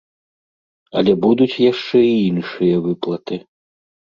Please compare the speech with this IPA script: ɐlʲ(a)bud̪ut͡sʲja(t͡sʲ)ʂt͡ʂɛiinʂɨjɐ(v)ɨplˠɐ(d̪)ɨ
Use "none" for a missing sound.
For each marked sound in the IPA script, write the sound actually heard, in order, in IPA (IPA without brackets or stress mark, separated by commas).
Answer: ɛ, none, v, t̪